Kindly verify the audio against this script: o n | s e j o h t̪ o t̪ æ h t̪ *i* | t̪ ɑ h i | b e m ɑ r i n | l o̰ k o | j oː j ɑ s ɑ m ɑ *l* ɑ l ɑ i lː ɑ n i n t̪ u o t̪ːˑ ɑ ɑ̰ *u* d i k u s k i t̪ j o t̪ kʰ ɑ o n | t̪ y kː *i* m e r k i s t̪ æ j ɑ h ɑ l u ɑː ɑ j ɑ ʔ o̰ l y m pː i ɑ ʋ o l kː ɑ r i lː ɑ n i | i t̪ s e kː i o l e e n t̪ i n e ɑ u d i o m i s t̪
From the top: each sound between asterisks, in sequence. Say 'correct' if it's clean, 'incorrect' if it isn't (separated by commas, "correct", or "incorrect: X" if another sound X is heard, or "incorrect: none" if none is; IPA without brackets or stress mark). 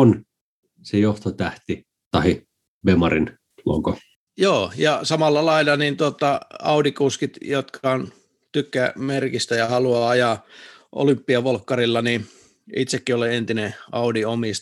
correct, incorrect: lː, correct, incorrect: æ